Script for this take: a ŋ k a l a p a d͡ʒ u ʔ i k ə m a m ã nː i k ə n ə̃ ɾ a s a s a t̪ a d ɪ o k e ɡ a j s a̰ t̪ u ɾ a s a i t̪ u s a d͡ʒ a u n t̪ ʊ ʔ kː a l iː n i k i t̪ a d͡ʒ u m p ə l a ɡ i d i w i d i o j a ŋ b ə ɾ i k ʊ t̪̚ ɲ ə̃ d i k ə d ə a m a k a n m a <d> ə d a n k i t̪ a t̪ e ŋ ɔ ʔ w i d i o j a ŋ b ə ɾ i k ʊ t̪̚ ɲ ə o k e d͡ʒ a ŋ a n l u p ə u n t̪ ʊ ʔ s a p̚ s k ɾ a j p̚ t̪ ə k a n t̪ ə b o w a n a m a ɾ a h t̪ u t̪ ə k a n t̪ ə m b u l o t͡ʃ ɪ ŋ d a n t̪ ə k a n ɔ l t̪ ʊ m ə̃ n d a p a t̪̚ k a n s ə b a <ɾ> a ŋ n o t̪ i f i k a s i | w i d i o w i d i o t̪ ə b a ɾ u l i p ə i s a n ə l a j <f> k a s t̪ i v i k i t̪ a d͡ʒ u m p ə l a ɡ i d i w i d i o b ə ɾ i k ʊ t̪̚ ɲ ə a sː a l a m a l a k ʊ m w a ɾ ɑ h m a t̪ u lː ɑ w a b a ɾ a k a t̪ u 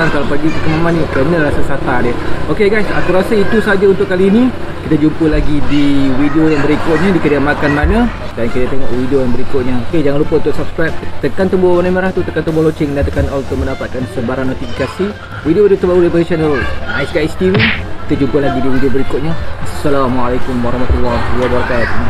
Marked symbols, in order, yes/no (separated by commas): no, yes, no